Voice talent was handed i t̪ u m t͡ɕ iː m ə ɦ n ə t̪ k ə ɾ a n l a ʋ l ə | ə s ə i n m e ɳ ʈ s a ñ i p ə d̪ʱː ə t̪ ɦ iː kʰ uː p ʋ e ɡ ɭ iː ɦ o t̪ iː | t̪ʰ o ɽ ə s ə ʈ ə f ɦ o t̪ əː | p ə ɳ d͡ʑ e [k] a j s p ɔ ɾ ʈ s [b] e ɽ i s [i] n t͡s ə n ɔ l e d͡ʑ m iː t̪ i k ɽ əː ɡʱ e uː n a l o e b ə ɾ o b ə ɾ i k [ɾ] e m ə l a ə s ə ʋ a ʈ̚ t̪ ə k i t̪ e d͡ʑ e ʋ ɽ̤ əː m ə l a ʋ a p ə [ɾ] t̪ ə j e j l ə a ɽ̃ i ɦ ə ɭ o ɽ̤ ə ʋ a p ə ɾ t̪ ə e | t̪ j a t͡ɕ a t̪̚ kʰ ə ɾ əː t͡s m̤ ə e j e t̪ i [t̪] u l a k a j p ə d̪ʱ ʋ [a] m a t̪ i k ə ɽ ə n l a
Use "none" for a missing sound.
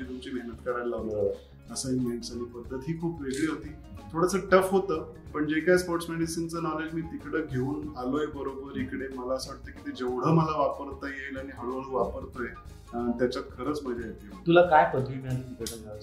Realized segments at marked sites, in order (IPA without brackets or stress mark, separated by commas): k, m, i, ɽ, ɾ, t̪, i